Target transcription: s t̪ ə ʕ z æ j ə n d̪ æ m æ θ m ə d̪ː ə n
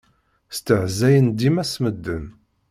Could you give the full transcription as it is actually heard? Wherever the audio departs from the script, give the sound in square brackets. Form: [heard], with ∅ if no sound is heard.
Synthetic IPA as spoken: s t̪ ə ʕ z æ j ə n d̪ [i] m æ [s] m ə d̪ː ə n